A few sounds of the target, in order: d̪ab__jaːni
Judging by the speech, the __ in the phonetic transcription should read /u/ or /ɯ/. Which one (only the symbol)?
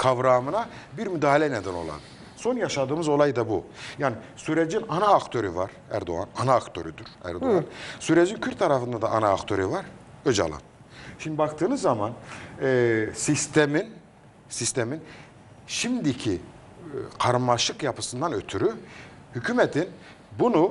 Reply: u